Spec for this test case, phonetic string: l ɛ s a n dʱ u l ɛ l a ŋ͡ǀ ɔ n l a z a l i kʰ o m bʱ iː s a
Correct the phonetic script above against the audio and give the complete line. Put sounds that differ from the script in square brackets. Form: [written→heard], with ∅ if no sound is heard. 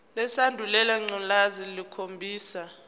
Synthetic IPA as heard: l ɛ s a n dʱ u l ɛ l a ŋ͡ǀ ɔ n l a z [a→i] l i kʰ o m bʱ iː s a